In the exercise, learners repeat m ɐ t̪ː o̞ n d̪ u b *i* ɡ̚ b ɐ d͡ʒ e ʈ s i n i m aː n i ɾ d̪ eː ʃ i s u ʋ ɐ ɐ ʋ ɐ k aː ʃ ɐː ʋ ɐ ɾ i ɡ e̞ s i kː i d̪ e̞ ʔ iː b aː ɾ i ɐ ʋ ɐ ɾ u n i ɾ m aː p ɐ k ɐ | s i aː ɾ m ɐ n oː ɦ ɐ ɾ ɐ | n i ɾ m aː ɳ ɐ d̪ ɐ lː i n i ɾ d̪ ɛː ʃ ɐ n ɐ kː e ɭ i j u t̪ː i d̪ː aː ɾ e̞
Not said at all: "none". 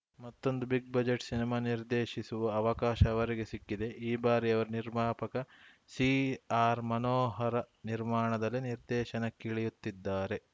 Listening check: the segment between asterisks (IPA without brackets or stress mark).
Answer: i